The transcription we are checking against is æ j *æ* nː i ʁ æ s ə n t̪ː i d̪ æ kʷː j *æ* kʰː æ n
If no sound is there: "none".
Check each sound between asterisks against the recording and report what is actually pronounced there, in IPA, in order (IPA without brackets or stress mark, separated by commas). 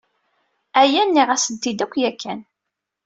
æ, æ